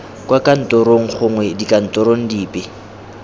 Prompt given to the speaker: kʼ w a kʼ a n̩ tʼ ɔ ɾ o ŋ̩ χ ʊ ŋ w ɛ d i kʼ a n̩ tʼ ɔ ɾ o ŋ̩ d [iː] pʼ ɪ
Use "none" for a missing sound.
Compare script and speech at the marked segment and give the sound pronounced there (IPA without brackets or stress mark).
iː